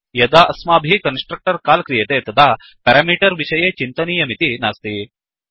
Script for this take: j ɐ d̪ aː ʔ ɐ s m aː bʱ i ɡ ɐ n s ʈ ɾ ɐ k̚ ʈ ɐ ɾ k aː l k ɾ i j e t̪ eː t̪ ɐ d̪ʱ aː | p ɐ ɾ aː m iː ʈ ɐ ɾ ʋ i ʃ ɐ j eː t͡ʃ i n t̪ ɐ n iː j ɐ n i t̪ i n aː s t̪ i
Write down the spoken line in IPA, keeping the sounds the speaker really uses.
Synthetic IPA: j ɐ d̪ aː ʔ ɐ s m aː bʱ i k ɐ n s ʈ ɾ ɐ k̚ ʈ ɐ ɾ k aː l k ɾ i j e t̪ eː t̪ ɐ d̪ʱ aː | p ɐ ɾ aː m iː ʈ ɐ ɾ ʋ i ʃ ɐ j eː t͡ʃ i n t̪ ɐ n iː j ɐ m i t̪ i n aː s t̪ i